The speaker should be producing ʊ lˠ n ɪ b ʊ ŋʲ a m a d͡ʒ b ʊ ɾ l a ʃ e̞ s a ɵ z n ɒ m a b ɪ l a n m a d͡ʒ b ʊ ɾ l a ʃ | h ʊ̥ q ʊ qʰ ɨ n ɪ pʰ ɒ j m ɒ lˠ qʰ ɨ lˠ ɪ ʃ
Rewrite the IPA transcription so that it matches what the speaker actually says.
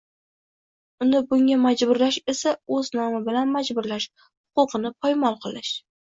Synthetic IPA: ʊ n ɪ b ʊ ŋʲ a m a d͡ʒ b ʊ ɾ l a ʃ e̞ s a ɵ z n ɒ m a b ɪ l a n m a d͡ʒ b ʊ ɾ l a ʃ | h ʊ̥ q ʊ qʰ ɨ n ɪ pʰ ɒ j m ɒ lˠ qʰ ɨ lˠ ɪ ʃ